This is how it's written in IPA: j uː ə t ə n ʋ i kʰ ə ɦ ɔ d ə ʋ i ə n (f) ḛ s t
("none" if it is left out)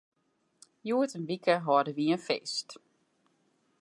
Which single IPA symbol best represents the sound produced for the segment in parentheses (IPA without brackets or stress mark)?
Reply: f